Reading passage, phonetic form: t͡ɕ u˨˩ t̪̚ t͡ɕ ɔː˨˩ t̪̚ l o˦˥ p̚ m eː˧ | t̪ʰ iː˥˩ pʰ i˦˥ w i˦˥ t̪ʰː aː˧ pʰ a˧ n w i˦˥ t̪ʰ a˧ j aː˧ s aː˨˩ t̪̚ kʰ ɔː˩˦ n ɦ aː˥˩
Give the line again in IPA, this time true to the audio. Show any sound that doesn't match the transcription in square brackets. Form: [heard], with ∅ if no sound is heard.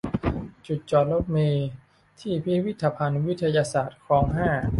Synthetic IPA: t͡ɕ u˨˩ t̪̚ t͡ɕ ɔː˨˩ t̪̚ l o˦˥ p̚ m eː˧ | t̪ʰ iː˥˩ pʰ i˦˥ w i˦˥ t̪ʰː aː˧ pʰ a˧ n w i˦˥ t̪ʰ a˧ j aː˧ s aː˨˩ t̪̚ kʰ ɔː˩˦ [ŋ] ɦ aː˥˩